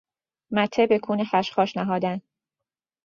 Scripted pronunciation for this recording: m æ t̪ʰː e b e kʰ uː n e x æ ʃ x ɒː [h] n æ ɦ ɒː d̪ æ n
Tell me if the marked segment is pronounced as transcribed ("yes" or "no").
no